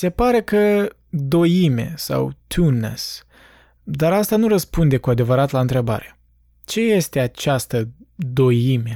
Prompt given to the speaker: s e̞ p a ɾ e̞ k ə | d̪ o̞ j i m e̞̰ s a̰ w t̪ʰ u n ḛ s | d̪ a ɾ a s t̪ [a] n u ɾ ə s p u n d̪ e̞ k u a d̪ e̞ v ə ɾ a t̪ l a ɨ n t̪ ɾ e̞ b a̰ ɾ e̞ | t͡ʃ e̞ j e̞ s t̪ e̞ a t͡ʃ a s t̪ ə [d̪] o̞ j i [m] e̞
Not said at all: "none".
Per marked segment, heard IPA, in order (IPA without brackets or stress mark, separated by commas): a, d̪, m